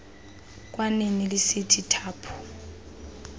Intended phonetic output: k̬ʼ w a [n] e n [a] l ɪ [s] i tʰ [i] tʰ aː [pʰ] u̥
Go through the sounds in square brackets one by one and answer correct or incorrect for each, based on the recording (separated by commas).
correct, incorrect, correct, correct, correct